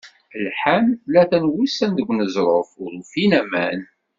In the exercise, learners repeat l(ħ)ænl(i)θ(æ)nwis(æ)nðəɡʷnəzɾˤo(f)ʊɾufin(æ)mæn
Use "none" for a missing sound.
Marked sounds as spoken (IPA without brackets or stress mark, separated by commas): ħ, æ, æ, æ, f, æ